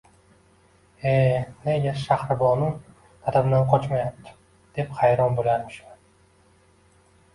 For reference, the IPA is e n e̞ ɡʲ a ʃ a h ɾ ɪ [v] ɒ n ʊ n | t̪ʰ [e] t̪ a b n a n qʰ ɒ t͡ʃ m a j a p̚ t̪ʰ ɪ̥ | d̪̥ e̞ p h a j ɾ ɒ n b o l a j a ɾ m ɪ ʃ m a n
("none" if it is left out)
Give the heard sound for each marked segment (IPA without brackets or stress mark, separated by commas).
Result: b, a